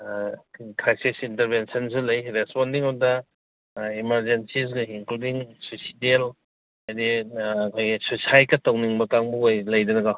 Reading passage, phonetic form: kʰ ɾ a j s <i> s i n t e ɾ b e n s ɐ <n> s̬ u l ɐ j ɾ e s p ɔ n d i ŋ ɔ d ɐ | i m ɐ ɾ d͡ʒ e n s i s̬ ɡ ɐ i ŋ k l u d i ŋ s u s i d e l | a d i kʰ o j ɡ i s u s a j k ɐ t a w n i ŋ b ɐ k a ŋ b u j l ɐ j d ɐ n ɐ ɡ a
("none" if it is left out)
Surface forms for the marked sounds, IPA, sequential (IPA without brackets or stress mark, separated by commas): i, n